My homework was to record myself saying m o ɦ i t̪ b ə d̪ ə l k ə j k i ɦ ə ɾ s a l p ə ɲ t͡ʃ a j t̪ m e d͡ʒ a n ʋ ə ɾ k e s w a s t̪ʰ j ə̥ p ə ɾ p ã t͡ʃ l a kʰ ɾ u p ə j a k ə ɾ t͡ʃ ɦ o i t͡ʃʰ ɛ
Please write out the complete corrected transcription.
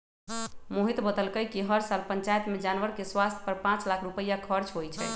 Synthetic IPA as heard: m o ɦ i t̪ b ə d̪ ə l k ə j k i ɦ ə ɾ s a l p ə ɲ t͡ʃ a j t̪ m e d͡ʒ a n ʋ ə ɾ k e s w a s t̪ʰ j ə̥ p ə ɾ p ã t͡ʃ l a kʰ ɾ u p ə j a kʰ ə ɾ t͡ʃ ɦ o j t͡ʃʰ ɛ